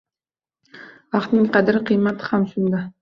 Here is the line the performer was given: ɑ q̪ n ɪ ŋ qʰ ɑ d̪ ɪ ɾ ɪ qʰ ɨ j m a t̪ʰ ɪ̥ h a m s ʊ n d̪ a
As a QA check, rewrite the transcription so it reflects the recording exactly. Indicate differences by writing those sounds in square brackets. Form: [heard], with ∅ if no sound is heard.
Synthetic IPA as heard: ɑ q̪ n ɪ ŋ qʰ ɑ d̪ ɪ ɾ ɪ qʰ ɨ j m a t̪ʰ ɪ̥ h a m s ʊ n d̪ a